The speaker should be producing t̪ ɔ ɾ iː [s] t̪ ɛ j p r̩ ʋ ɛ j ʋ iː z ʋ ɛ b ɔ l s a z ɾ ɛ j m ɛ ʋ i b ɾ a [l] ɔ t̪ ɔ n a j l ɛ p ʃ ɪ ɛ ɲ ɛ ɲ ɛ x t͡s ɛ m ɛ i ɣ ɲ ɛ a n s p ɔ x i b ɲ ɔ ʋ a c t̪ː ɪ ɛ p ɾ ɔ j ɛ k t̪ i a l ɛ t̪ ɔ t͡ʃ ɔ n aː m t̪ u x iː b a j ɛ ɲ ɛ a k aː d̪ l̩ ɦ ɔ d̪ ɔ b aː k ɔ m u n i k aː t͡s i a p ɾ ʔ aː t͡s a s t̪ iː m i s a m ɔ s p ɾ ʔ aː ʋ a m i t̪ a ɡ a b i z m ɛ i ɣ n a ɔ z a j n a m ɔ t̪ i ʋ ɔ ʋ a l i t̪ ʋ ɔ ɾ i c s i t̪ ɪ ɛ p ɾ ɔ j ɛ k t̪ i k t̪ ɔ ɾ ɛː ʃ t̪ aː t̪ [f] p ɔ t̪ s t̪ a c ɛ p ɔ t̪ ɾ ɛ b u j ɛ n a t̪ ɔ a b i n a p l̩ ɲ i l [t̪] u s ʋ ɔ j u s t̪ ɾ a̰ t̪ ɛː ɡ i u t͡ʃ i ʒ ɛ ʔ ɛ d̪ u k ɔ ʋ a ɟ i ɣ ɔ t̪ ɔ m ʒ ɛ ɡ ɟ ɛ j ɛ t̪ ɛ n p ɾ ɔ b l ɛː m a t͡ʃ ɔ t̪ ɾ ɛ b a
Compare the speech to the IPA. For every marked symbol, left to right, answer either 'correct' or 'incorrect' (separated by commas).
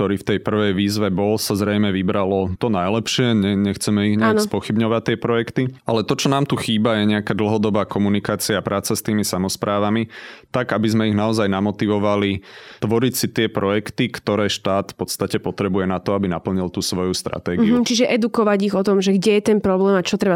incorrect, correct, correct, correct